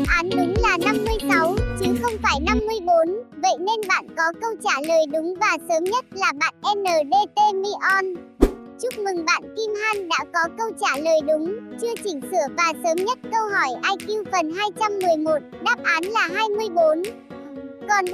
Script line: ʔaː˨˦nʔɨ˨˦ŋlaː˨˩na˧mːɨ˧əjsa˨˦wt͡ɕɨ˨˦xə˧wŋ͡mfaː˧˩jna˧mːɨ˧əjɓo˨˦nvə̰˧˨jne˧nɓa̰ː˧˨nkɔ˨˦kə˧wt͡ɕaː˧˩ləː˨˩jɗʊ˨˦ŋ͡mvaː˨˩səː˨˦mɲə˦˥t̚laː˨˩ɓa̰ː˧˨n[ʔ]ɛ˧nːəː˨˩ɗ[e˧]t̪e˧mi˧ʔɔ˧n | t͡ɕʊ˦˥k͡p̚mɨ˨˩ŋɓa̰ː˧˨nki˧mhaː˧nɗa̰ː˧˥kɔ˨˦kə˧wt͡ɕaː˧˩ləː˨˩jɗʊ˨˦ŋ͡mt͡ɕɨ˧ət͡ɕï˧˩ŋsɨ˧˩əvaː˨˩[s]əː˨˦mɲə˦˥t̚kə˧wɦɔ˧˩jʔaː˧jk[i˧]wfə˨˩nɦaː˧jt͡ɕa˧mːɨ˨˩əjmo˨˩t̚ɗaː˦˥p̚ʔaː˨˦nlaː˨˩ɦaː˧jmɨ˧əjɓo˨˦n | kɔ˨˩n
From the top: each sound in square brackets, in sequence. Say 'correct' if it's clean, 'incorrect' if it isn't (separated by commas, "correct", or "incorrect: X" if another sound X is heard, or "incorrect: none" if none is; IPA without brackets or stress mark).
correct, correct, correct, correct